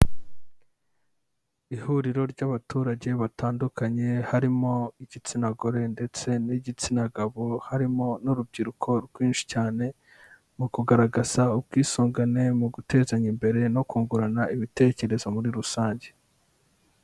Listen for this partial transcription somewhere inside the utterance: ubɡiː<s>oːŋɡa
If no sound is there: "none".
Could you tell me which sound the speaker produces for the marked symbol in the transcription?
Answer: s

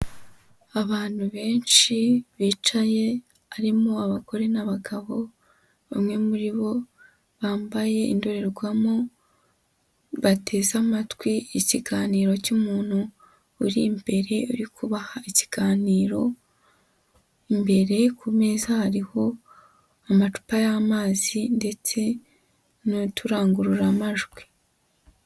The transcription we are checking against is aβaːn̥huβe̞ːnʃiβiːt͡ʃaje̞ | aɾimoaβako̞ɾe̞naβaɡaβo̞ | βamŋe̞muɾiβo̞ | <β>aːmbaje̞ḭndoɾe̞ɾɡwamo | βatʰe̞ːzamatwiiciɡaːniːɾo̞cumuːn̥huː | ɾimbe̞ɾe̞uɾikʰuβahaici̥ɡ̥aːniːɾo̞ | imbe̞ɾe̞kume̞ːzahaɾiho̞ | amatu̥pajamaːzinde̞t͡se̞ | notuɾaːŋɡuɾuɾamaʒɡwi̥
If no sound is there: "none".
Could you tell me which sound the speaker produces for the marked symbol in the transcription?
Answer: β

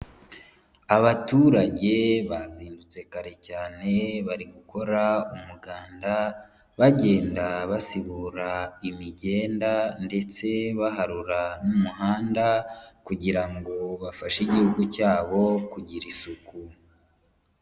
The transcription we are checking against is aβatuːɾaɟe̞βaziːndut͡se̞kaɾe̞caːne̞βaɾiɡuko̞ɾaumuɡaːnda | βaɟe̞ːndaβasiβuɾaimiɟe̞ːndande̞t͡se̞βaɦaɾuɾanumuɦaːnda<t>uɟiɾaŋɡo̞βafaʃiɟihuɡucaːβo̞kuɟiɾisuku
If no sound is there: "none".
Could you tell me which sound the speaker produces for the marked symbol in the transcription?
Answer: k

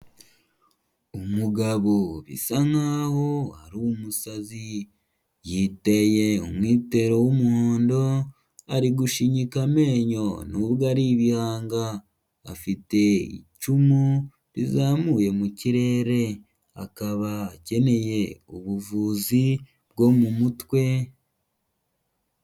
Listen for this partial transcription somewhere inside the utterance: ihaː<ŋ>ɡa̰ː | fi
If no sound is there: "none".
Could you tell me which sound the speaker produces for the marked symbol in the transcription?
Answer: ŋ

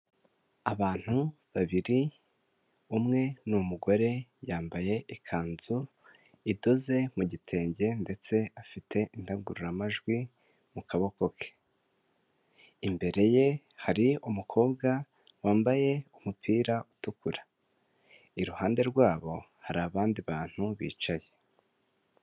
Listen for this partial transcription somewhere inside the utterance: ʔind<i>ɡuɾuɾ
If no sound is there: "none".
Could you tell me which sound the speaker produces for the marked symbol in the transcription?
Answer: a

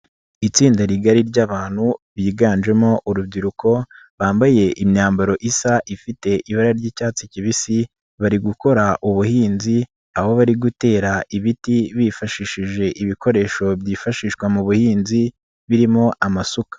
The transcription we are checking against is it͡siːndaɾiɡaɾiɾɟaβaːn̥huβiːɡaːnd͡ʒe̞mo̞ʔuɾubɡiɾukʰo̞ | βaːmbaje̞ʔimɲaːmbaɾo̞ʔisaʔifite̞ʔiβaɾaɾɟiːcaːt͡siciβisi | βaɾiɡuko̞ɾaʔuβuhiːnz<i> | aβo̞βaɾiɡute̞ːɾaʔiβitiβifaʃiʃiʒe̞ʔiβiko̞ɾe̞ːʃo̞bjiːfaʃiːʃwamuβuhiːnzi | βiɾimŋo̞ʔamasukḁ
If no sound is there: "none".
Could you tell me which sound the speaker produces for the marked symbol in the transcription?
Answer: i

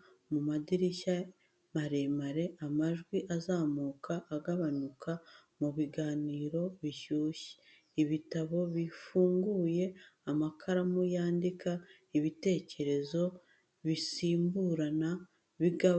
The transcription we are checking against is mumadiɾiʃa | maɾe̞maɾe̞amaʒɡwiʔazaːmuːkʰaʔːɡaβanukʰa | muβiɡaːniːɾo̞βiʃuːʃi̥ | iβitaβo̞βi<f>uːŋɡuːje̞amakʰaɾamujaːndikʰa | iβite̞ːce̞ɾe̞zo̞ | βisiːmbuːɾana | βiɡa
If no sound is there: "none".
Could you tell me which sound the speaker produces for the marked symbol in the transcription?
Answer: f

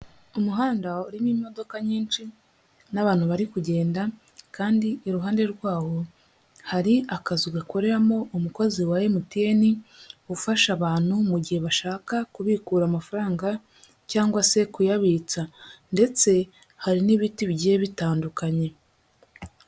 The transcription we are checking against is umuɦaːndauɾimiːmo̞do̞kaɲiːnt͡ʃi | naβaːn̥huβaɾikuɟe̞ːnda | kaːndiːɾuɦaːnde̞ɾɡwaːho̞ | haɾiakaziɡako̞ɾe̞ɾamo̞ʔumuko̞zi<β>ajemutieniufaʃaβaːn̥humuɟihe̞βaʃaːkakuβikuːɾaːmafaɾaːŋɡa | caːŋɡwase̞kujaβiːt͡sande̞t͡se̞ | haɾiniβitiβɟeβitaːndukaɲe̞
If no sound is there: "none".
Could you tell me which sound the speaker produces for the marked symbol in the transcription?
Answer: w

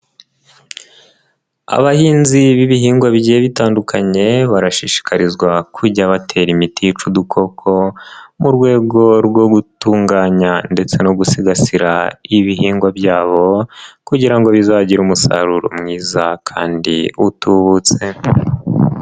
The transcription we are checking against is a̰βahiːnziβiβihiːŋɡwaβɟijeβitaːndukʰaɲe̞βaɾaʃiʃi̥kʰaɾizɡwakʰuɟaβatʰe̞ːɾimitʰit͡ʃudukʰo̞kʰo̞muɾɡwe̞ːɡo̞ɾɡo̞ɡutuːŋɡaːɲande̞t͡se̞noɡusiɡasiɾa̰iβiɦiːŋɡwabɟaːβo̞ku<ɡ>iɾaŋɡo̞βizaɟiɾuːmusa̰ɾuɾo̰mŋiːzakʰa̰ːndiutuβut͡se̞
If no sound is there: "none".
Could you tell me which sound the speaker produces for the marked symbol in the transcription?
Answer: ɟ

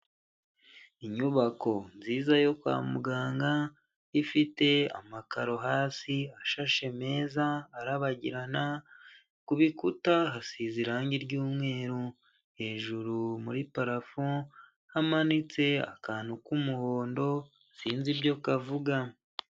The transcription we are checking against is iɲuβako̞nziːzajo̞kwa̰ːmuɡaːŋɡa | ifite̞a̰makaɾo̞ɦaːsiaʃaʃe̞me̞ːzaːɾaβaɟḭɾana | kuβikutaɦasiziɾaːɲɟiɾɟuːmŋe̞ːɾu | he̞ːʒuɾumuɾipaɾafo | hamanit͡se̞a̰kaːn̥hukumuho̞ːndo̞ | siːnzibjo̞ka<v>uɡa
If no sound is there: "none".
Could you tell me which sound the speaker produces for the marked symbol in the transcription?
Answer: v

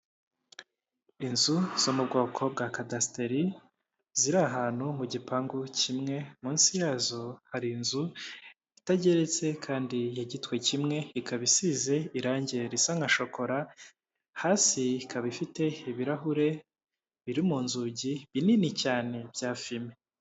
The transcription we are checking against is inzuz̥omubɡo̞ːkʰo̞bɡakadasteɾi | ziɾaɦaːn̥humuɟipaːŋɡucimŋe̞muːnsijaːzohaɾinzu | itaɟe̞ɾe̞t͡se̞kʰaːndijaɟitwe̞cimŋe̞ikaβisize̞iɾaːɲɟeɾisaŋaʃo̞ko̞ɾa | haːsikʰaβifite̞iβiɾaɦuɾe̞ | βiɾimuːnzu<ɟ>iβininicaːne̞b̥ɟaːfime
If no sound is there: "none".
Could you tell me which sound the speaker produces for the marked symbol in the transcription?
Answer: ɟ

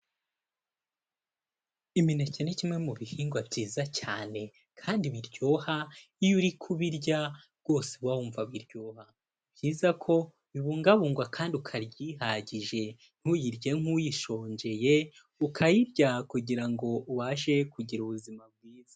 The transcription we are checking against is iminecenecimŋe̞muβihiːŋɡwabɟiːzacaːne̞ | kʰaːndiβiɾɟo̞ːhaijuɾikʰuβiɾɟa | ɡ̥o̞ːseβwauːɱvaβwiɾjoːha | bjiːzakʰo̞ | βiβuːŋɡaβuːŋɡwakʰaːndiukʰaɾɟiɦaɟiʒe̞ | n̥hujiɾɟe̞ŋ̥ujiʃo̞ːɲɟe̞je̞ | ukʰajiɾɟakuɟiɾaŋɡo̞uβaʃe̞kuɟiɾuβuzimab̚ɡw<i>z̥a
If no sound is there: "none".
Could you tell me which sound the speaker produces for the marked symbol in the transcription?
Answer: iː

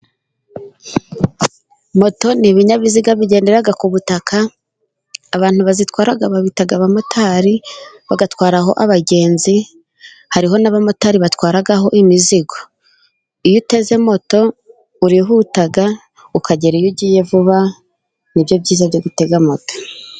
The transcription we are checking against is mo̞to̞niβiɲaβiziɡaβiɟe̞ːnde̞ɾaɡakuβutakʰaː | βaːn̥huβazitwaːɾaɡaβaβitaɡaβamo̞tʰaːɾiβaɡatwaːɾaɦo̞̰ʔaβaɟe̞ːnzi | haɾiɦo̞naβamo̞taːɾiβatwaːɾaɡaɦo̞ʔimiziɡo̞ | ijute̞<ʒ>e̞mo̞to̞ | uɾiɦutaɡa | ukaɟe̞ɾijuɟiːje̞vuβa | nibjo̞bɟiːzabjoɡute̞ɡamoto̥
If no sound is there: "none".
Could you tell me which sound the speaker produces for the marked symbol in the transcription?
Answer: z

